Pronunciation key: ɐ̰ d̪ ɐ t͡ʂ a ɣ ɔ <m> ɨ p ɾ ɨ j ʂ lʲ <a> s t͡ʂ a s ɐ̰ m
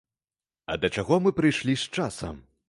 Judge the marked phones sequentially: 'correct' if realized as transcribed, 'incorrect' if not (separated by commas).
correct, incorrect